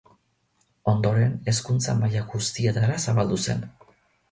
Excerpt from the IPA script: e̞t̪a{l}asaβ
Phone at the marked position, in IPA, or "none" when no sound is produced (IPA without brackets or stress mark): ɾ